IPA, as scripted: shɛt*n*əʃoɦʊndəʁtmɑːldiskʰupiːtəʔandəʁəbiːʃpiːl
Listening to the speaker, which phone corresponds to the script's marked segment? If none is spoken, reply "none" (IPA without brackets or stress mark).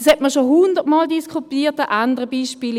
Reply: m